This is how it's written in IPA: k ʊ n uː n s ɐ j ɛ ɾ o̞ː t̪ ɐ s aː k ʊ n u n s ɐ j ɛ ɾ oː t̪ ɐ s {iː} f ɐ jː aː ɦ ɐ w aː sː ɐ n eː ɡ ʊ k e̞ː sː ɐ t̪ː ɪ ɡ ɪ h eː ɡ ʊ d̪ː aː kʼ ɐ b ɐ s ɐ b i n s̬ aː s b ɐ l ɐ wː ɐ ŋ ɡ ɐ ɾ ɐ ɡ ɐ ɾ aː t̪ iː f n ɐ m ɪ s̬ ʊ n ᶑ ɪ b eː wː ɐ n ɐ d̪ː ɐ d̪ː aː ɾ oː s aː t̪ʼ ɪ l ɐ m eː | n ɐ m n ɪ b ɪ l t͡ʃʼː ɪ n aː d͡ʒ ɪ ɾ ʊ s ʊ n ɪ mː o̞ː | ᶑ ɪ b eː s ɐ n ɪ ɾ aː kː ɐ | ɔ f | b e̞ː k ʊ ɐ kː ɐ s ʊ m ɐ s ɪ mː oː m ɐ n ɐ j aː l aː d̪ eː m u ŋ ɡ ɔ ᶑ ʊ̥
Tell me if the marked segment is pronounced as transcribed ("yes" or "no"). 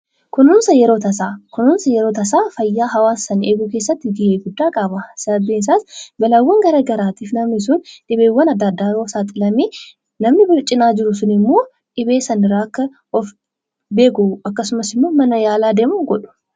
no